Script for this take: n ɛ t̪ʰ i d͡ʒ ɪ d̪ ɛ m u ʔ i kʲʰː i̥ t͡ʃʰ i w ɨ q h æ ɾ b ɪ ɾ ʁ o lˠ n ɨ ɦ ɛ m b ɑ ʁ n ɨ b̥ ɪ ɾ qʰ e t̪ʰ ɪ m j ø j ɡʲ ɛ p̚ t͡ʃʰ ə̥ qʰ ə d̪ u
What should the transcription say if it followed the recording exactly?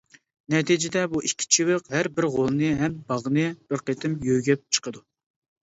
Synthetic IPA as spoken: n ɛ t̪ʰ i d͡ʒ ɪ d̪ ɛ b u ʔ i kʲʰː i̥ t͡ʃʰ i w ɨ q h æ ɾ b ɪ ɾ ʁ o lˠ n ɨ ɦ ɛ m b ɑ ʁ n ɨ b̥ ɪ ɾ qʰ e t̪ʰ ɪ m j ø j ɡʲ ɛ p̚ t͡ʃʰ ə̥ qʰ ə d̪ u